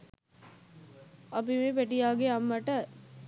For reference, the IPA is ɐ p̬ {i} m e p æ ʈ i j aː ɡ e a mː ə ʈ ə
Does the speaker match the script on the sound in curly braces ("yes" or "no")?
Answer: yes